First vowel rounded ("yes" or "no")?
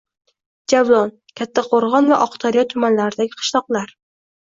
no